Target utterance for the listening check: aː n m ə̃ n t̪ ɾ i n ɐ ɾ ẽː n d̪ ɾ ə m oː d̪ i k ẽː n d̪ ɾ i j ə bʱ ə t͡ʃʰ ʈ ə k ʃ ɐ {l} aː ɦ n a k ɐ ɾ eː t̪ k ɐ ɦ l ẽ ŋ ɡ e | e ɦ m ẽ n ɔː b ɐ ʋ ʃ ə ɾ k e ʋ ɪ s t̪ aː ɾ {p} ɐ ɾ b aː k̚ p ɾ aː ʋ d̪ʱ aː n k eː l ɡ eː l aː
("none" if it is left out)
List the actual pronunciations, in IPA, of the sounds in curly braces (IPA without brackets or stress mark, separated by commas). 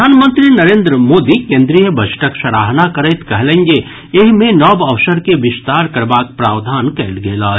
ɾ, k